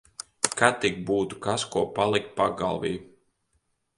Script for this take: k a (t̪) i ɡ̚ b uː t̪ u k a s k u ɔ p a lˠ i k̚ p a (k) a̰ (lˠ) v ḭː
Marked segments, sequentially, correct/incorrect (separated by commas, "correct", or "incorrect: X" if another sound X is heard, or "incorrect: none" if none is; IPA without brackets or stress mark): correct, incorrect: ɡ, correct